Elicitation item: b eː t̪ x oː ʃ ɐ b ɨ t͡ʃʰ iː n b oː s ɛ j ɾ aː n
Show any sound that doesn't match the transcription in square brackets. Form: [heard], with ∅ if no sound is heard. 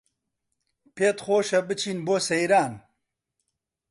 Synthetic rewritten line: [p] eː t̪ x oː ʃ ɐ b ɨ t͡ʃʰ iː n b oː s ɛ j ɾ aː n